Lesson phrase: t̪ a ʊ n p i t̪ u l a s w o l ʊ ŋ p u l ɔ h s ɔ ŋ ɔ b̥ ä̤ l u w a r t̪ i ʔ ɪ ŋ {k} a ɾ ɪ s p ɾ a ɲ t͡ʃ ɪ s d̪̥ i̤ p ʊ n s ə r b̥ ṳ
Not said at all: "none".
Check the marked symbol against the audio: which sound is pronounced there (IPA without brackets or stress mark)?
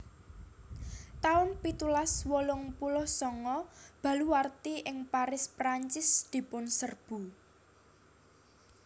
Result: p